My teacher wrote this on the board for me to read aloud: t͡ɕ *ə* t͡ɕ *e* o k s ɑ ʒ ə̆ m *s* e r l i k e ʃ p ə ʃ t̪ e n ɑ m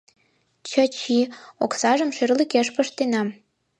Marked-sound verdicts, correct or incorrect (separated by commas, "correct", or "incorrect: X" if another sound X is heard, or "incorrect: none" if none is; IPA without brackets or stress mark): correct, incorrect: i, incorrect: ʃ